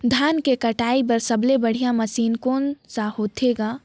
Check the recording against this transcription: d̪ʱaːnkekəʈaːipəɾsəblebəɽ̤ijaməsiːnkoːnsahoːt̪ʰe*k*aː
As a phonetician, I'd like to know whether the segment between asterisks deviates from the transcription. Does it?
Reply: yes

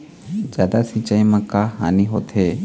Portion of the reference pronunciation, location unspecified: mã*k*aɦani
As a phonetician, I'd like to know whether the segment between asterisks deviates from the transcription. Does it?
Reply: no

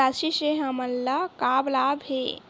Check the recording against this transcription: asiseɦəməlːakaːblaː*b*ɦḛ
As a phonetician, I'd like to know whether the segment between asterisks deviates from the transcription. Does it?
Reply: no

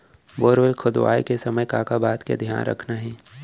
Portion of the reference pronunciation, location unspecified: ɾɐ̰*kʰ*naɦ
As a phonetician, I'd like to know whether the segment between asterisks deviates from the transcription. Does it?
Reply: no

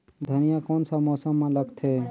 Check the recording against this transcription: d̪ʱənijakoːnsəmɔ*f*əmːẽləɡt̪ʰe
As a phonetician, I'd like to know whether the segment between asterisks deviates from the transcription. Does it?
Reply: yes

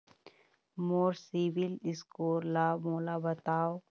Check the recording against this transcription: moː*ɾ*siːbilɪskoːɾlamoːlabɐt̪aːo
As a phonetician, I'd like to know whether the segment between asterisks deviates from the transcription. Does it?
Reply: no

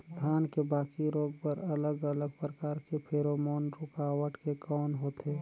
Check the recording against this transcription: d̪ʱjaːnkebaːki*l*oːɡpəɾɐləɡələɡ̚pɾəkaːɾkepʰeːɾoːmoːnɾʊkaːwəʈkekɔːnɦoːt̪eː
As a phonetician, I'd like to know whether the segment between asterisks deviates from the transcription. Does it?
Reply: yes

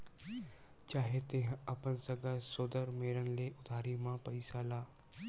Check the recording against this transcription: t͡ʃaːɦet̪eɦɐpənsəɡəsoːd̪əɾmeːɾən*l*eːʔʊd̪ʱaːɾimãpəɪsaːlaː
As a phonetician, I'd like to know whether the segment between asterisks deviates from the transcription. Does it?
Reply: no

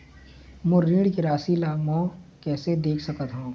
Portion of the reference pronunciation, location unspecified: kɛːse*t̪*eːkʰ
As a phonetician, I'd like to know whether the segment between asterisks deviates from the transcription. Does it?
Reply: yes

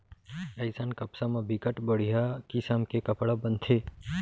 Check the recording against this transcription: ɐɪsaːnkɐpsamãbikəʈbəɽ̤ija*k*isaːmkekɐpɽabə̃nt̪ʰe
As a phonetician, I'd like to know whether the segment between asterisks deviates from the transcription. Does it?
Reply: no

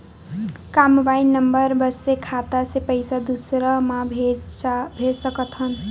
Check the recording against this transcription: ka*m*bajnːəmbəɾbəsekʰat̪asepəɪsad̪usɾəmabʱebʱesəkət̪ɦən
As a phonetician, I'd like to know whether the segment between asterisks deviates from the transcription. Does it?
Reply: no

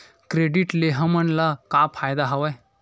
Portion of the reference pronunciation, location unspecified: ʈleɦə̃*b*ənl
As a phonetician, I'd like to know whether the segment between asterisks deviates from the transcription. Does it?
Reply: yes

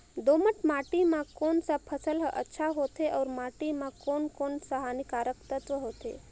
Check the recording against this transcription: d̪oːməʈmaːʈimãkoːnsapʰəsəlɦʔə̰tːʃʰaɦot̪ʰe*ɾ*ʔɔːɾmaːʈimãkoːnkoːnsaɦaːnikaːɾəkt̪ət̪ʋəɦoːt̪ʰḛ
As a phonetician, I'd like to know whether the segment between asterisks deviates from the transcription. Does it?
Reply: yes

